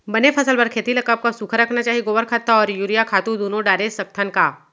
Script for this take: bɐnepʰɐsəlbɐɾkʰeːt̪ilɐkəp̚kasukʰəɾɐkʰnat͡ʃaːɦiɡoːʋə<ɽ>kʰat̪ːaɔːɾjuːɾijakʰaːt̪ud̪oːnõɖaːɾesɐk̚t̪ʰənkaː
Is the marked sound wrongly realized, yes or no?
yes